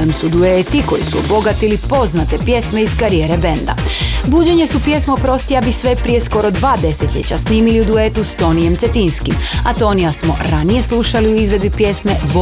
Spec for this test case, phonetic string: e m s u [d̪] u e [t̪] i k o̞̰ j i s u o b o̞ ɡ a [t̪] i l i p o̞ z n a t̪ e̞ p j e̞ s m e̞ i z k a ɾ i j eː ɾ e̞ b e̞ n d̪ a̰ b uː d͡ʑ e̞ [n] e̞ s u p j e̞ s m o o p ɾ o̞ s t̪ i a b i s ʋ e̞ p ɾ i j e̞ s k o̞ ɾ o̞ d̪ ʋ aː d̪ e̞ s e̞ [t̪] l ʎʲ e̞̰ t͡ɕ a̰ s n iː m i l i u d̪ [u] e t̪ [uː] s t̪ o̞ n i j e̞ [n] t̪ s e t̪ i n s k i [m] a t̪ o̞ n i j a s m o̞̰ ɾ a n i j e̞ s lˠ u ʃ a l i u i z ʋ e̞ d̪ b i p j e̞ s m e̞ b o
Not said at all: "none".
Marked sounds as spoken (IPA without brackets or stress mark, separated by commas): d̪, t̪, t̪, ɲ, t̪, u, u, m, m